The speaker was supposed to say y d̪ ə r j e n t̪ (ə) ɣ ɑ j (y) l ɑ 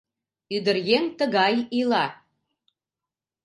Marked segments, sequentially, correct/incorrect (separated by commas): correct, incorrect